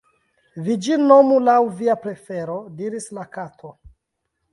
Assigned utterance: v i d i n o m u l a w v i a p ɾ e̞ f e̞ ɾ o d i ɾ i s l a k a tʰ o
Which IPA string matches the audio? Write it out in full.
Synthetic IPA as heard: v i d͡ʒ i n o m u l a w v i a p ɾ e̞ f e̞ ɾ o d i ɾ i s l a k a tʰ o